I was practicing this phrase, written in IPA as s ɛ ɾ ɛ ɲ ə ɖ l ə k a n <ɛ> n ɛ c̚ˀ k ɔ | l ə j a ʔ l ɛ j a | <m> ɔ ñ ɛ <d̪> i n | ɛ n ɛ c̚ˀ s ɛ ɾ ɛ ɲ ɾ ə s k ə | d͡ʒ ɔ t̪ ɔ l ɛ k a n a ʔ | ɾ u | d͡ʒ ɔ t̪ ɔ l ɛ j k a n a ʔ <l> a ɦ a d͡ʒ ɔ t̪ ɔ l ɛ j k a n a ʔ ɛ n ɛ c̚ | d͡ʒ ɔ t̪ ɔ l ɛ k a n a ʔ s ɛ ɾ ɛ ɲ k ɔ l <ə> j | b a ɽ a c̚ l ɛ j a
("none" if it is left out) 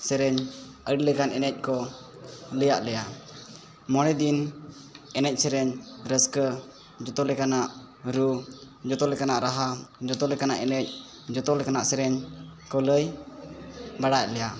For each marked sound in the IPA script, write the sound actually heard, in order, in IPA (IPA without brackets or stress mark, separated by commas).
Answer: ɛ, m, d̪, ɾ, ə